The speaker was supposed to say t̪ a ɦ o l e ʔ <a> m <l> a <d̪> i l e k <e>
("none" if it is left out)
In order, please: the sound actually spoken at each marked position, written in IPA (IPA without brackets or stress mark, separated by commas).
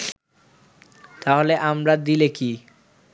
a, ɾ, d̪, i